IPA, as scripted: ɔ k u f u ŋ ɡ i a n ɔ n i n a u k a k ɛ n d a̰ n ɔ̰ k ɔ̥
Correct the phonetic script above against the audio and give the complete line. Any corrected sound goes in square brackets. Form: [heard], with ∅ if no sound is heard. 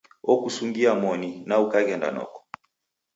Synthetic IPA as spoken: ɔ k u [s] u ŋ ɡ i a [m] ɔ n i n a u k a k ɛ n d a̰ n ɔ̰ k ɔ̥